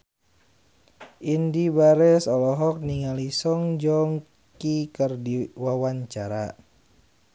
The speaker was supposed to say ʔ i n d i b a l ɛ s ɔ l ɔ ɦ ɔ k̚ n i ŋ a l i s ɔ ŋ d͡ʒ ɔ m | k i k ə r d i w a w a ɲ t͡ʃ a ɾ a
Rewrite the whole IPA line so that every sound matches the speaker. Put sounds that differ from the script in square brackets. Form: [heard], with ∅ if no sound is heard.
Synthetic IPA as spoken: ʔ i n d i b a [ɾ] ɛ s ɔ l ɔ ɦ ɔ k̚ n i ŋ a l i s ɔ ŋ d͡ʒ ɔ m | k i k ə r d i w a w a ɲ t͡ʃ a ɾ a

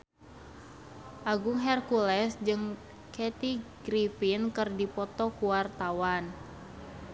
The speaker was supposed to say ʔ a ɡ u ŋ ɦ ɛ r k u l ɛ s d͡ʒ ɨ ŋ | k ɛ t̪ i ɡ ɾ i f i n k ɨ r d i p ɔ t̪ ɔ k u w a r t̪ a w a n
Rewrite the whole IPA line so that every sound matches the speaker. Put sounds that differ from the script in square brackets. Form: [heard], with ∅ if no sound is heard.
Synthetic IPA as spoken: ʔ a ɡ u ŋ ɦ ɛ r k u l ɛ s d͡ʒ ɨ ŋ | k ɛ t̪ i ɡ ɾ i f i n k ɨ r d i p ɔ t̪ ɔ k u w a r t̪ a w a n

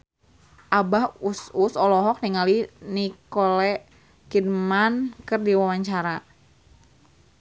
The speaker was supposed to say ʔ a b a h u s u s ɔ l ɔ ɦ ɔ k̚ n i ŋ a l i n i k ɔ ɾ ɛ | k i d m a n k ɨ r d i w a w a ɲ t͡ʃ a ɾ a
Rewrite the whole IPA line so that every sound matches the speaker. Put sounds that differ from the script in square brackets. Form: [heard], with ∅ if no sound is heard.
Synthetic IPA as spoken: ʔ a b a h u s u s ɔ l ɔ ɦ ɔ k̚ n i ŋ a l i n i k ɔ [l] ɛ | k i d m a n k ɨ r d i w a w a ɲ t͡ʃ a ɾ a

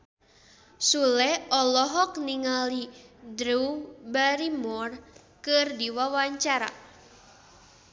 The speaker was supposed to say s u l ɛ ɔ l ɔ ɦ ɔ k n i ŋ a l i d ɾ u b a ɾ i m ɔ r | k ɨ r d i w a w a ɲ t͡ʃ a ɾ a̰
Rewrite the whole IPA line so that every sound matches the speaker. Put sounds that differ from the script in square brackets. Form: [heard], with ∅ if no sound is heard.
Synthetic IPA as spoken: s u l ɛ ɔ l ɔ ɦ ɔ k n i ŋ a l i d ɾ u b a ɾ i m ɔ r | k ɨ r d i w a w a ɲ t͡ʃ a ɾ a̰

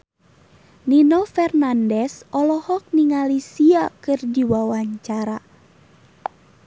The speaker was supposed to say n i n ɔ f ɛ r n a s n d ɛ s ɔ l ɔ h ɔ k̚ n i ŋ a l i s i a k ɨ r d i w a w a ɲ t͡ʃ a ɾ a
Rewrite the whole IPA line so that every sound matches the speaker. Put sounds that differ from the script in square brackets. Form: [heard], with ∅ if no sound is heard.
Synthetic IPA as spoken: n i n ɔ f ɛ r n a [∅] n d ɛ s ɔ l ɔ h ɔ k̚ n i ŋ a l i s i a k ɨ r d i w a w a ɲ t͡ʃ a ɾ a

